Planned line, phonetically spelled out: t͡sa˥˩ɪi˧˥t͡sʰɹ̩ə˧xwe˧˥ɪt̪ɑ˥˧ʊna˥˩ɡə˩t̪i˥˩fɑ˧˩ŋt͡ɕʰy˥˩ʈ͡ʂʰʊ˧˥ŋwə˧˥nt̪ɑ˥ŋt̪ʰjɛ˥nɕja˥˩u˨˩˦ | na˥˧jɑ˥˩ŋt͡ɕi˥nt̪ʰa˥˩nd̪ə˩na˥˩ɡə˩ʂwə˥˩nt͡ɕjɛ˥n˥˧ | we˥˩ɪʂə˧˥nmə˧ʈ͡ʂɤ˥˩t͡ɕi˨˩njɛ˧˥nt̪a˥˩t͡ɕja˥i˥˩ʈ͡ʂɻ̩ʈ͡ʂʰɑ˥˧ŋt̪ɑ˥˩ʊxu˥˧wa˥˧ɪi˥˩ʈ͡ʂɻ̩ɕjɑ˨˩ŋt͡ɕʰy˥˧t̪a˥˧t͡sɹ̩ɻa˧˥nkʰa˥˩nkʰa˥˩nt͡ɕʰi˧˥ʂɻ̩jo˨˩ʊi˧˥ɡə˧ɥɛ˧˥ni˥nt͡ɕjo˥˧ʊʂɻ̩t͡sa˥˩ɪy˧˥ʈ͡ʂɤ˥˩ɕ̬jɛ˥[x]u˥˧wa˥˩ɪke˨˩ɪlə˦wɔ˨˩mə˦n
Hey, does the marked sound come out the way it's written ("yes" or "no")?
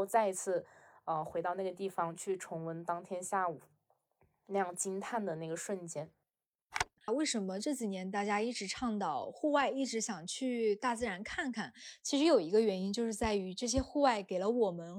yes